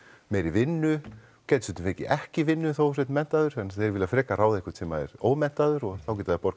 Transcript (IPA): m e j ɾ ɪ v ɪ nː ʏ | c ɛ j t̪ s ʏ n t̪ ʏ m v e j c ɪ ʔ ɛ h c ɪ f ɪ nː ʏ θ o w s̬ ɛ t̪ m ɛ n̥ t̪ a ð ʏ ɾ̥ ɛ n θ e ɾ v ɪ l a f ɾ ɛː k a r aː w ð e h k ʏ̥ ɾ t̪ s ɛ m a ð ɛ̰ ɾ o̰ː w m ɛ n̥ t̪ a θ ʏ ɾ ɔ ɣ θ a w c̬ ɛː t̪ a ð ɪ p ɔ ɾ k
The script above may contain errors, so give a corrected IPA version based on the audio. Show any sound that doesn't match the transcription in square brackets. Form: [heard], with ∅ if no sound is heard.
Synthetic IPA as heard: m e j ɾ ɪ v ɪ nː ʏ | c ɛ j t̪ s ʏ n t̪ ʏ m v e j c ɪ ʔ ɛ h c ɪ [v] ɪ nː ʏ θ o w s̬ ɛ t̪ m ɛ n̥ t̪ a ð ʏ ɾ̥ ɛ n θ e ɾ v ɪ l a f ɾ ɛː k a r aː w ð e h k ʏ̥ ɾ t̪ s ɛ m a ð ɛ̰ ɾ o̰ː w m ɛ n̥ t̪ a [ð] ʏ ɾ ɔ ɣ θ a w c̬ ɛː t̪ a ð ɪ p ɔ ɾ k